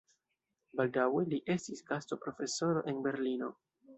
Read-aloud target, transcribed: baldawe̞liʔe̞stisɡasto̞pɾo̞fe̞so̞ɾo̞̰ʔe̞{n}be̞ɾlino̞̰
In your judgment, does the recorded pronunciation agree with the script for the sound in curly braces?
yes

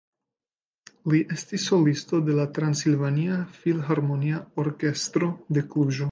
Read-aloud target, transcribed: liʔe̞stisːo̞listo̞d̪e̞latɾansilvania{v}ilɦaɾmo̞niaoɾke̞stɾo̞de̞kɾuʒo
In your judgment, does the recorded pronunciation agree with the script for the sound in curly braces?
no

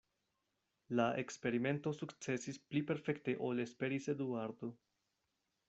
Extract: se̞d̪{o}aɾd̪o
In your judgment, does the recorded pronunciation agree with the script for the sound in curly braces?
no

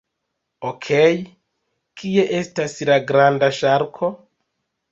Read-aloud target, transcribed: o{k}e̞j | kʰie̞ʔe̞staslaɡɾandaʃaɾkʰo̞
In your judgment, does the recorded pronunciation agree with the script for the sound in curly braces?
no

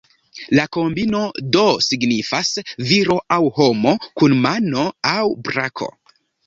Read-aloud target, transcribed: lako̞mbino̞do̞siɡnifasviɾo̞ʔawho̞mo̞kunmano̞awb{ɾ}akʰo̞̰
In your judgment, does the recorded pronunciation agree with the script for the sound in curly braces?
yes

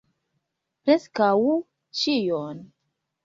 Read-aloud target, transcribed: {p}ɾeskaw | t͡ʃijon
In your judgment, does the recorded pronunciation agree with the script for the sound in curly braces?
yes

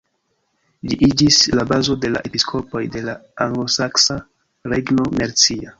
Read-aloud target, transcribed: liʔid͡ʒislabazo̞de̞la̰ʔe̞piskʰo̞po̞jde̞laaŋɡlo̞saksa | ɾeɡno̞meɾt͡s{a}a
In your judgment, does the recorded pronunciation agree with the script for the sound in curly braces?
no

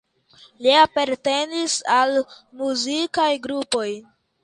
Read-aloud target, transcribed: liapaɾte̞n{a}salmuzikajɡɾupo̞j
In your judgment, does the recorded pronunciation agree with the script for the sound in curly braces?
no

